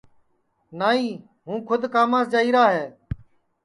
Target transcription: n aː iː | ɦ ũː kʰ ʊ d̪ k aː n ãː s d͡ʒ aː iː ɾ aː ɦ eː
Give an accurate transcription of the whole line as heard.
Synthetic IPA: n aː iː | ɦ ũː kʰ ʊ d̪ k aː m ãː s d͡ʒ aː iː ɾ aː ɦ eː